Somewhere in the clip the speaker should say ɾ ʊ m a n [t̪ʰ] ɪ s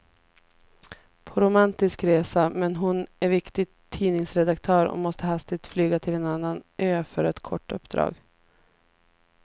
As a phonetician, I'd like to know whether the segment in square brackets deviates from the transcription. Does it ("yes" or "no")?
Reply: yes